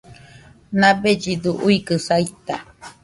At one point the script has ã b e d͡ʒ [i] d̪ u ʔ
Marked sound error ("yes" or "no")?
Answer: no